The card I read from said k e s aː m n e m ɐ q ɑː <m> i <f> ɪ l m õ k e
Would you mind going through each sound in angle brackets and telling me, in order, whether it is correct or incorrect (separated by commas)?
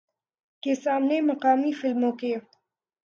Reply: correct, correct